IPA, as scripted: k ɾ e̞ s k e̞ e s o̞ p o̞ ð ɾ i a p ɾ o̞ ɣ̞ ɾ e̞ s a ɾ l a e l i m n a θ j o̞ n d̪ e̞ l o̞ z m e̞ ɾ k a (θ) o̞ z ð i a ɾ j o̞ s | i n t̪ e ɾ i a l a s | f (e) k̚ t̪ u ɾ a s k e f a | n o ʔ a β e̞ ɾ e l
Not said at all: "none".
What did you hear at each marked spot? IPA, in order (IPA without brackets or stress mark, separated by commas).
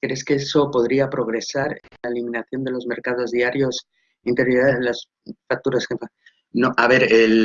ð, a